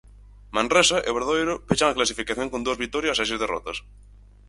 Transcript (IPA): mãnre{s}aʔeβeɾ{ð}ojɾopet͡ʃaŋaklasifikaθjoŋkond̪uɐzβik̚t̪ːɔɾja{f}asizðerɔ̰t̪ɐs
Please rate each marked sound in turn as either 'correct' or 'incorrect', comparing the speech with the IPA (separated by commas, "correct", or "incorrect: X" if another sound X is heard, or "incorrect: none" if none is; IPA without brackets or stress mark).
correct, correct, incorrect: s